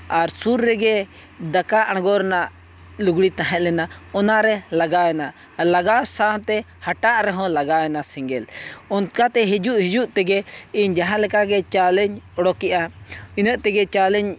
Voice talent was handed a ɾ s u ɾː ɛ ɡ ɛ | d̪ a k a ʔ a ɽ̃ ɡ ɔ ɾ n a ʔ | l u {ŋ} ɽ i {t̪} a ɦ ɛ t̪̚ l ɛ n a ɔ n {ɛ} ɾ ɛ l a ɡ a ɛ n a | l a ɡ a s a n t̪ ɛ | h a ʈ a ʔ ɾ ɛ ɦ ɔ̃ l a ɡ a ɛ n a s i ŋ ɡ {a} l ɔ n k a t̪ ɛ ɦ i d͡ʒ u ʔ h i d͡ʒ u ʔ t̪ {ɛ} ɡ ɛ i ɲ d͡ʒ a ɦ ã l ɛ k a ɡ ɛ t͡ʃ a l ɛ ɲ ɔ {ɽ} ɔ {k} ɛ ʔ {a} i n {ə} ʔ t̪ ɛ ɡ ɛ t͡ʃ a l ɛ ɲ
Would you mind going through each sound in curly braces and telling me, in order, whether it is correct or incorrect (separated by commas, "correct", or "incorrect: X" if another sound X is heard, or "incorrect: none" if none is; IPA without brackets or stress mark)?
incorrect: ɡ, correct, incorrect: a, incorrect: ɛ, correct, correct, correct, correct, correct